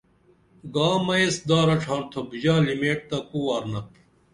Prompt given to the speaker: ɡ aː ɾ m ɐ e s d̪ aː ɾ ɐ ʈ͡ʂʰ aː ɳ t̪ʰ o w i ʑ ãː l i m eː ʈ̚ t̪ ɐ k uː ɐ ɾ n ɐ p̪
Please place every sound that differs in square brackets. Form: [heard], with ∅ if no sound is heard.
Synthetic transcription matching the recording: ɡ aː [∅] m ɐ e s d̪ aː ɾ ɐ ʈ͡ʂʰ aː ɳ t̪ʰ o [b] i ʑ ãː l i m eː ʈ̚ t̪ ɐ k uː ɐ ɾ n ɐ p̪